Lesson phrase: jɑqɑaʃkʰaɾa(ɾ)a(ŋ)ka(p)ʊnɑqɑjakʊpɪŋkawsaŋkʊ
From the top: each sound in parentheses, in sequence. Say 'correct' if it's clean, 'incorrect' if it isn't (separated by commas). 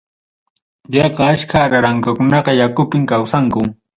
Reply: correct, correct, incorrect